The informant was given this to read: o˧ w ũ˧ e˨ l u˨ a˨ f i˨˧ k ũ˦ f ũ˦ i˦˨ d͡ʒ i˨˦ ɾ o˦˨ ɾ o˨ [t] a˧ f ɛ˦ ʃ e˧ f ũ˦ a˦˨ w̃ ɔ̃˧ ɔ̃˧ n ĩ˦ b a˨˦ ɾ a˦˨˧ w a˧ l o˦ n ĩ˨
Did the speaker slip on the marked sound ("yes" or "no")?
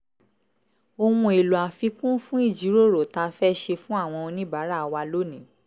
no